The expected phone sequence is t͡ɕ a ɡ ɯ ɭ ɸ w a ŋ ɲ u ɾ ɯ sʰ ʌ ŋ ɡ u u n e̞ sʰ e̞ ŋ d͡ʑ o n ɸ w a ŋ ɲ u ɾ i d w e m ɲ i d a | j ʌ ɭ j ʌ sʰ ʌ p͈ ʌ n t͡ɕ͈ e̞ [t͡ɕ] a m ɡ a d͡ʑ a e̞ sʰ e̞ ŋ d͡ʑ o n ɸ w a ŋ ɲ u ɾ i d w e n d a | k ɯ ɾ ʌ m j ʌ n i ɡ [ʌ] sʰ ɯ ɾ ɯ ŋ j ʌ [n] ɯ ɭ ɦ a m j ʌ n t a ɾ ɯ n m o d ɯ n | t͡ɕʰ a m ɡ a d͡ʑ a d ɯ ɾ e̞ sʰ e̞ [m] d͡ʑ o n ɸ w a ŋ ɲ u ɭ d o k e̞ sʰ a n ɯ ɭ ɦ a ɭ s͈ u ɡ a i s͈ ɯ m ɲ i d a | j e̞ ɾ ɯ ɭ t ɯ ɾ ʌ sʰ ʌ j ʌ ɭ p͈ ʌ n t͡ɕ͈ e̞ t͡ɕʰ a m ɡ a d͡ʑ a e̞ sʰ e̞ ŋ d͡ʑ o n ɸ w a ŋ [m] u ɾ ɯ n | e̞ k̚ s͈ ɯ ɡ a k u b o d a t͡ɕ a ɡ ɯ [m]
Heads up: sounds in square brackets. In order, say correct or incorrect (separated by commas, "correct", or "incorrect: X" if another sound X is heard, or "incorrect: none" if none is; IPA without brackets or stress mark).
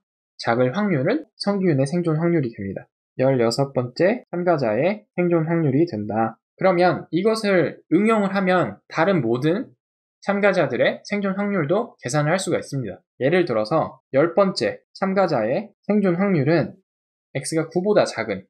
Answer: incorrect: t͡ɕʰ, correct, incorrect: ŋ, incorrect: ŋ, incorrect: ɲ, incorrect: n